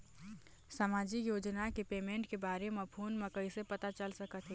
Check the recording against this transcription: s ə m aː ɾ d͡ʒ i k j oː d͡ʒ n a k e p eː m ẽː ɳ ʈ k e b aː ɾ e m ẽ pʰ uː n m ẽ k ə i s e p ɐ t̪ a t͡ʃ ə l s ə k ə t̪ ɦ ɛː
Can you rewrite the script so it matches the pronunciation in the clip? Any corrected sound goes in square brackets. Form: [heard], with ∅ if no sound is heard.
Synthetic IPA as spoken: s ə m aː [∅] d͡ʒ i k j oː d͡ʒ n a k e p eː m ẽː ɳ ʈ k e b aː ɾ e m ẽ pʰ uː n m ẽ k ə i s e p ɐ t̪ a t͡ʃ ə l s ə k ə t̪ ɦ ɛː